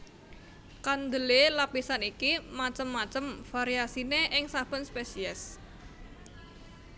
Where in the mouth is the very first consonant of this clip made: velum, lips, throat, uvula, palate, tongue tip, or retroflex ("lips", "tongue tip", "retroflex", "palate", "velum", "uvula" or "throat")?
velum